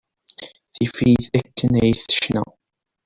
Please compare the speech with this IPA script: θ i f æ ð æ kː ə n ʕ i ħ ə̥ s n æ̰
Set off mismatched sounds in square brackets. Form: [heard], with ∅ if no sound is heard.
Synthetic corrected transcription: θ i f [i] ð æ kː ə n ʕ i [θ] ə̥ [ʃ] n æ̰